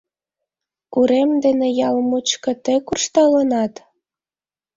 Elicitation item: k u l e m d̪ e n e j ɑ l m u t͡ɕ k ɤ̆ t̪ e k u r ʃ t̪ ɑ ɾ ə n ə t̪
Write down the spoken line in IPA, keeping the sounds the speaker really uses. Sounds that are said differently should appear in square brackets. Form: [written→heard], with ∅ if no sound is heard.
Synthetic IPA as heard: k u [l→ɾ] e m d̪ e n e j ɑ l m u t͡ɕ k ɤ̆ t̪ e k u r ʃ t̪ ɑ [ɾ→l] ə n [ə→ɑ] t̪